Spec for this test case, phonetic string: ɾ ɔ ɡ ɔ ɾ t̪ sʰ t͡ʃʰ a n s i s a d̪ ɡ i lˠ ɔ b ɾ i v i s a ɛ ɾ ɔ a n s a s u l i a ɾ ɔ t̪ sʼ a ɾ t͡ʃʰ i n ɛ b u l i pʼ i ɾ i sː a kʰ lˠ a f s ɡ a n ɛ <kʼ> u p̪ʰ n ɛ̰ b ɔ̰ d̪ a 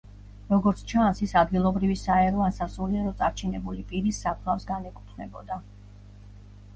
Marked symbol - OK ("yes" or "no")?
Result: yes